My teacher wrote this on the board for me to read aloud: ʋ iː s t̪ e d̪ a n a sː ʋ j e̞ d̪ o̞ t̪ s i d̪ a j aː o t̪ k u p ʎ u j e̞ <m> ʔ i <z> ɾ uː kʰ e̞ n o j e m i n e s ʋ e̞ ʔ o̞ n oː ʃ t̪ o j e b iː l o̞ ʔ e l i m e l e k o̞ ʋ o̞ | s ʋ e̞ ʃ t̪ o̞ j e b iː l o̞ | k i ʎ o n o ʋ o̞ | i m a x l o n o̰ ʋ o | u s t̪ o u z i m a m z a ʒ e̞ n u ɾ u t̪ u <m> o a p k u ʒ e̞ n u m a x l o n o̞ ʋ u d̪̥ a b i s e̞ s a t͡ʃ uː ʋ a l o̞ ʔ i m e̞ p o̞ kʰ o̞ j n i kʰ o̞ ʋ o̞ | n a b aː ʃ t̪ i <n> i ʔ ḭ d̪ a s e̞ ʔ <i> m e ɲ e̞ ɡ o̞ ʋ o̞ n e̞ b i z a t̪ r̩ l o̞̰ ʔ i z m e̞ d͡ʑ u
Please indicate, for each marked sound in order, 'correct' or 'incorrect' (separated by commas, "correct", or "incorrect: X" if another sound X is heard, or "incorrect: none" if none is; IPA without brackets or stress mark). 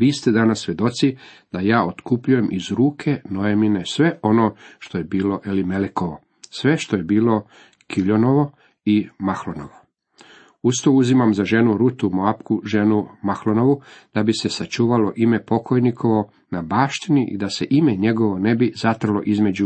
correct, correct, correct, correct, correct